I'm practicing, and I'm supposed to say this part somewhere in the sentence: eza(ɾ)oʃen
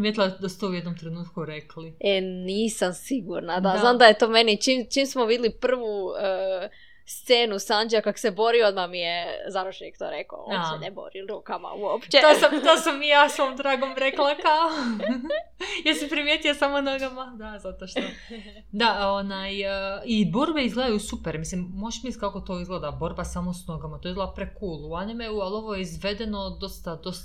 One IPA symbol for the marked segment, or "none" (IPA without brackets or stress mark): ɾ